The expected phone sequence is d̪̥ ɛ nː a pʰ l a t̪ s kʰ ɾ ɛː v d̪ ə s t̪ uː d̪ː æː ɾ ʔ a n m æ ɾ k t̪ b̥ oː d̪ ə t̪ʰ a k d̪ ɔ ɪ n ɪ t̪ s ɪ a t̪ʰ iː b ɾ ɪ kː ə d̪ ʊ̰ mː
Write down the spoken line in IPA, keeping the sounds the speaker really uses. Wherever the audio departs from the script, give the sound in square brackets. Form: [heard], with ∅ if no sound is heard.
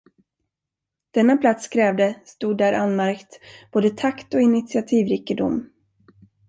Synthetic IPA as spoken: d̪̥ ɛ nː a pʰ l a t̪ s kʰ ɾ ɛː v d̪ ə s t̪ uː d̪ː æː ɾ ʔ a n m æ ɾ k t̪ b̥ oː d̪ ə t̪ʰ a k [t̪] ɔ ɪ n ɪ t̪ s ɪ a t̪ʰ iː [v] ɾ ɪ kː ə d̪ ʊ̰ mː